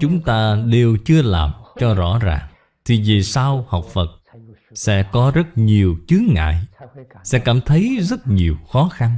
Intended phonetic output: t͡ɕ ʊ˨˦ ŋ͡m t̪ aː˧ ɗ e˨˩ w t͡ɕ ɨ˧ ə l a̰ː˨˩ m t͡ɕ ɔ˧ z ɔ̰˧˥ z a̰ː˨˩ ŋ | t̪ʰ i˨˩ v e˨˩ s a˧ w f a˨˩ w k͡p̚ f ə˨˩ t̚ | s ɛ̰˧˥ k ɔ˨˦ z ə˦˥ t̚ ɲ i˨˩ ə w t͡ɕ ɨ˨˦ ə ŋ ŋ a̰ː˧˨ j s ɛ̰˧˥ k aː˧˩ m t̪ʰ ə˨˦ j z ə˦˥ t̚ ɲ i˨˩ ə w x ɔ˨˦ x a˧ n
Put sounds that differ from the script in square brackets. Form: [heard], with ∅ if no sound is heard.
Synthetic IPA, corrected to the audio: t͡ɕ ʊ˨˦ ŋ͡m t̪ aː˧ ɗ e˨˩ w t͡ɕ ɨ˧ ə l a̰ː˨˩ m t͡ɕ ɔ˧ z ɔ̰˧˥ z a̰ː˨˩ ŋ | t̪ʰ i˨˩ v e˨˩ s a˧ w [h] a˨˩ w k͡p̚ f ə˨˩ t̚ | s ɛ̰˧˥ k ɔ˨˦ z ə˦˥ t̚ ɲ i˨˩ ə w t͡ɕ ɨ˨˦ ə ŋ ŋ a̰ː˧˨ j s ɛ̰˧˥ k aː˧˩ m t̪ʰ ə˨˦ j z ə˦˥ t̚ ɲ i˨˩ ə w x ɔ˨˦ x a˧ n